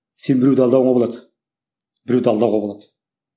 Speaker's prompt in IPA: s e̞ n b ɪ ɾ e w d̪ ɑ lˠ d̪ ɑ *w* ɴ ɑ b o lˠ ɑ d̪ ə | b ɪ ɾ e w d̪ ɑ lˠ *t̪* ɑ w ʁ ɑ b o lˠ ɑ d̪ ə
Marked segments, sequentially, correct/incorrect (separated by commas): correct, incorrect